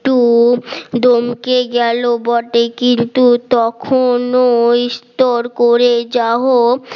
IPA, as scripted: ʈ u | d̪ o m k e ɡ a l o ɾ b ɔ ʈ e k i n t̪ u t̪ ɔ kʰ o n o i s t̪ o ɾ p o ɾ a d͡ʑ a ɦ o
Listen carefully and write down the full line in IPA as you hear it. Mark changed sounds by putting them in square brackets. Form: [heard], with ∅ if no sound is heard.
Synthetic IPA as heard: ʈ u | d̪ o m k e ɡ [ɛ] l o [∅] b ɔ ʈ e k i n t̪ u t̪ ɔ kʰ o n o i s t̪ o ɾ [k] o ɾ [e] d͡ʑ a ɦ o